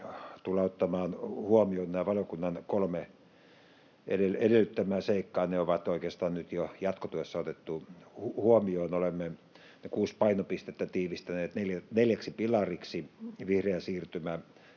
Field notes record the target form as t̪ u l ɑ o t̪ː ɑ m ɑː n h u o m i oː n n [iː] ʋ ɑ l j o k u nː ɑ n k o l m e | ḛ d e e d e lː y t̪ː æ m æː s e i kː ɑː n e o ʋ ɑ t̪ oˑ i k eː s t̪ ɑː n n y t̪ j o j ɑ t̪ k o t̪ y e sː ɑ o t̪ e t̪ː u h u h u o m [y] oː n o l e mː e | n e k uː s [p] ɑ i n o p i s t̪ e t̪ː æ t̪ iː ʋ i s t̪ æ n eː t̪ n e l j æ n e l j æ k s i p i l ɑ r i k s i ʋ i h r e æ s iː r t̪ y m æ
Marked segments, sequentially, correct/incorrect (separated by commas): incorrect, incorrect, correct